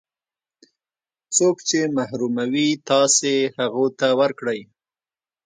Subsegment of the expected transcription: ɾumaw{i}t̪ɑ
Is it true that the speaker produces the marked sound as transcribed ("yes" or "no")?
yes